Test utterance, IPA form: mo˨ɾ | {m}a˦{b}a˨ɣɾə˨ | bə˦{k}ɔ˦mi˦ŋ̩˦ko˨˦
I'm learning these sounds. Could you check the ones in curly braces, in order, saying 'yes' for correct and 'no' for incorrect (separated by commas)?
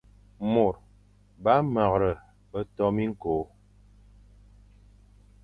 no, no, no